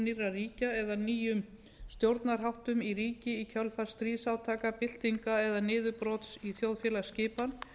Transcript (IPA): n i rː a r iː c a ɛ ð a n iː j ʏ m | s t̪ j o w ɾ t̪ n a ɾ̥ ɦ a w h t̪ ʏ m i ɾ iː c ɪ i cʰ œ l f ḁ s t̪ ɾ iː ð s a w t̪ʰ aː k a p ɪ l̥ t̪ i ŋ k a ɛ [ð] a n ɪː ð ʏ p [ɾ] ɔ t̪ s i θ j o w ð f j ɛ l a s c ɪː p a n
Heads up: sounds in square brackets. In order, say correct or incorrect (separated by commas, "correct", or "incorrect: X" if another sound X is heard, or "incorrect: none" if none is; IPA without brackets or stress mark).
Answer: correct, correct